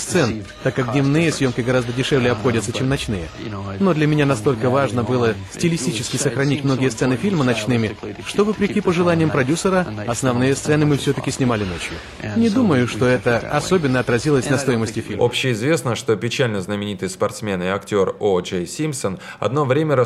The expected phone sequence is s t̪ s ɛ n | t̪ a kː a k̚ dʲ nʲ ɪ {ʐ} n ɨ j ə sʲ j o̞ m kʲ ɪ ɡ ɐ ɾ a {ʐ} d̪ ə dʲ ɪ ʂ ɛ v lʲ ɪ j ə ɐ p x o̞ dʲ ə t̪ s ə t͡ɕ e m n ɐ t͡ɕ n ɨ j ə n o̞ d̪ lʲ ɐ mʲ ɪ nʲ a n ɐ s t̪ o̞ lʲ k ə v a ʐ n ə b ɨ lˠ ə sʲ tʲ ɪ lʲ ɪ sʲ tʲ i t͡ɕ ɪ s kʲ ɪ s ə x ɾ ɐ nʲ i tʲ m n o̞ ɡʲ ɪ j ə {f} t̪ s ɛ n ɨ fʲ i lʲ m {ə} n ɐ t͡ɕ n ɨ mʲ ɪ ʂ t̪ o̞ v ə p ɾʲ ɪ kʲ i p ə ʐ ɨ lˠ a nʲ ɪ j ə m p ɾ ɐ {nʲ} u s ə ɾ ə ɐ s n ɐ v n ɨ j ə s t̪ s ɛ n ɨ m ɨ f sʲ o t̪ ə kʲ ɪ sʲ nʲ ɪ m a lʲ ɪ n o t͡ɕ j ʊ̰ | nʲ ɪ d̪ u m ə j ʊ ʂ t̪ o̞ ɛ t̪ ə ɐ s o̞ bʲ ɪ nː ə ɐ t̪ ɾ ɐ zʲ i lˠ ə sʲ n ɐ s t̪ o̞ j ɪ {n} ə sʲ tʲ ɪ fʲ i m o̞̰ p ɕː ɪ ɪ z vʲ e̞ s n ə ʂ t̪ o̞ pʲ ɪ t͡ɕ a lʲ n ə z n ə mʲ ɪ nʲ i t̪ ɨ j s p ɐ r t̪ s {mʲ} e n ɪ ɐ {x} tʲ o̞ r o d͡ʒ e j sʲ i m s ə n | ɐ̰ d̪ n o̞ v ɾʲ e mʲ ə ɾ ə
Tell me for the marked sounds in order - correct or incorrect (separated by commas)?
incorrect, incorrect, incorrect, correct, incorrect, incorrect, correct, incorrect